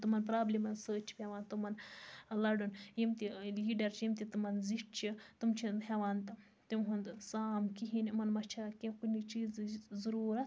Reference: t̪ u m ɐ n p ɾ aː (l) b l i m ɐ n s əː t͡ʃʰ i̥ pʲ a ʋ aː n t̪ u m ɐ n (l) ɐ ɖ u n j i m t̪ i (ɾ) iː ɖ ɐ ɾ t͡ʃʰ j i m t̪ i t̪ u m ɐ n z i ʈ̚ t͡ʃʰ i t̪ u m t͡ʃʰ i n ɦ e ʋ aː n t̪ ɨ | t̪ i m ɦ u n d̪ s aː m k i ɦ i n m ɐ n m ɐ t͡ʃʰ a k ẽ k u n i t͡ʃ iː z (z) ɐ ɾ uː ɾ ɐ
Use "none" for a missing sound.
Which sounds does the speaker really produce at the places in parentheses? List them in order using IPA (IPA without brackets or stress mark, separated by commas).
none, l, l, z